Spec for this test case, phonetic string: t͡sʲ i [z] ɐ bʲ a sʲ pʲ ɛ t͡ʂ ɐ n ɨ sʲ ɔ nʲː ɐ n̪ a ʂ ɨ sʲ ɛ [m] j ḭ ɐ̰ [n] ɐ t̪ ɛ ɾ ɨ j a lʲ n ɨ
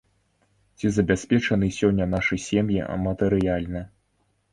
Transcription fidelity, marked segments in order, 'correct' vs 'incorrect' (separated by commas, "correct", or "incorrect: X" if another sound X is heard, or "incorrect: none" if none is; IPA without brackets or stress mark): correct, correct, incorrect: m